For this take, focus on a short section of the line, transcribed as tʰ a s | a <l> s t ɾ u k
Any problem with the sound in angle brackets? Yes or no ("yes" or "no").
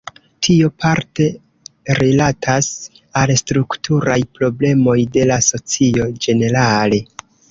no